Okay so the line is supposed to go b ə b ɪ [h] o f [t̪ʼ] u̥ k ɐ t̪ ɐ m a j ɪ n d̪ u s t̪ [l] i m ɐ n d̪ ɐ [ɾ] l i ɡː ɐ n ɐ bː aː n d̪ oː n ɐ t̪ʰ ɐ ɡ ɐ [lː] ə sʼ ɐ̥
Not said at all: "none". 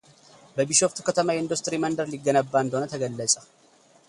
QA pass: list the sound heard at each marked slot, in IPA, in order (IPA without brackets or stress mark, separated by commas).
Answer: ʃ, t̪, ɾ, ɾ, lː